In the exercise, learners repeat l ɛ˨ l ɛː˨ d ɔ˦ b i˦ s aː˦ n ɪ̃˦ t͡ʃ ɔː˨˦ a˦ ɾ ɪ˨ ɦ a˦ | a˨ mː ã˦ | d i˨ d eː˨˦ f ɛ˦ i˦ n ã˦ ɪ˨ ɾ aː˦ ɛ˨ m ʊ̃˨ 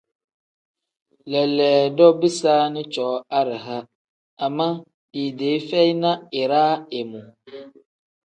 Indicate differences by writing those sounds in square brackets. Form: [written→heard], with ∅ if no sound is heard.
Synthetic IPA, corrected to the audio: l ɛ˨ l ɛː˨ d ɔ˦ b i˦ s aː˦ n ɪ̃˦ t͡ʃ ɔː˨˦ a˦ ɾ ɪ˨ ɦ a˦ | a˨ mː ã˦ | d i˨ d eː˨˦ f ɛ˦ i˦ n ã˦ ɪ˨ ɾ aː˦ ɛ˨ m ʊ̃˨